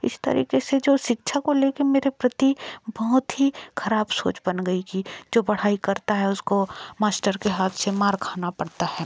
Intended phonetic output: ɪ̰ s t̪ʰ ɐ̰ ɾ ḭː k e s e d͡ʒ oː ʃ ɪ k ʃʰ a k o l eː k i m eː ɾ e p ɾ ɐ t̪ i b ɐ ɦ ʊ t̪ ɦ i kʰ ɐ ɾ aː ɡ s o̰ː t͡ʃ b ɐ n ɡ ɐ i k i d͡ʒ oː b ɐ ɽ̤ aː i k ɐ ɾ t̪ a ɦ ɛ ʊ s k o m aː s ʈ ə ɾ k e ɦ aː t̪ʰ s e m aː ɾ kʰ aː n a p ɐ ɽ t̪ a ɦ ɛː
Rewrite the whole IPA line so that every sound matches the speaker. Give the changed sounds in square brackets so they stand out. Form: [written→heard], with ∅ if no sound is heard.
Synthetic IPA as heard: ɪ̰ s [t̪ʰ→t̪] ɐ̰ ɾ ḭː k e s e d͡ʒ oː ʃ ɪ k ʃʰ a k o l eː k [i→e] m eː ɾ e p ɾ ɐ t̪ i b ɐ ɦ ʊ t̪ ɦ i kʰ ɐ ɾ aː [ɡ→b] s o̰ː t͡ʃ b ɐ n ɡ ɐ i k i d͡ʒ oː b ɐ ɽ̤ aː i k ɐ ɾ t̪ a ɦ ɛ ʊ s k o m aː s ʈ ə ɾ k e ɦ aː t̪ʰ s e m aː ɾ kʰ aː n a p ɐ ɽ t̪ a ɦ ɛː